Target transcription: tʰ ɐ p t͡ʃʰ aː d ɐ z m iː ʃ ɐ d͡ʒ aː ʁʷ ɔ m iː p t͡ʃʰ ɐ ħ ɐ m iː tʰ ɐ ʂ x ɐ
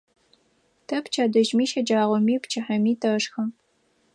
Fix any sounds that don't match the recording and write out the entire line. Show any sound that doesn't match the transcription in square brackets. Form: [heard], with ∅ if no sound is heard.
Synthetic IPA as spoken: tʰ ɐ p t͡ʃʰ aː d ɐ [ʒ] m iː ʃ ɐ d͡ʒ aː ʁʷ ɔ m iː p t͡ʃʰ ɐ ħ ɐ m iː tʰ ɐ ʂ x ɐ